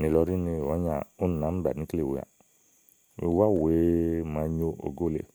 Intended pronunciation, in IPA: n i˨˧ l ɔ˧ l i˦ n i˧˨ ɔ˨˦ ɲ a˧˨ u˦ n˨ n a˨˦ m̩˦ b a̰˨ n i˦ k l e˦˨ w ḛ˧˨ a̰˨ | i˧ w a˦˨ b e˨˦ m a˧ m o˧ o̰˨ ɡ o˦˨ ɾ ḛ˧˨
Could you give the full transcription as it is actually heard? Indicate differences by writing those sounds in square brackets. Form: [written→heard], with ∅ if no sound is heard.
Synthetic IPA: n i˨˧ l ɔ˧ [l→ɾ] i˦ n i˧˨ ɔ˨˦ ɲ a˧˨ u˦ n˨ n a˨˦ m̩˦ b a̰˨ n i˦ k l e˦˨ w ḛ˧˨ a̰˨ | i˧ w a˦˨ [b→w] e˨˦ m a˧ [m→ɲ] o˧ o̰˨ ɡ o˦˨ [ɾ→l] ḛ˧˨